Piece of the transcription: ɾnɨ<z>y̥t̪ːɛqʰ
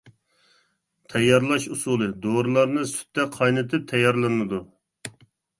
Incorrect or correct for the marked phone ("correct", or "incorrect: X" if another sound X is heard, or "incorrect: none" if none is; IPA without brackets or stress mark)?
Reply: incorrect: s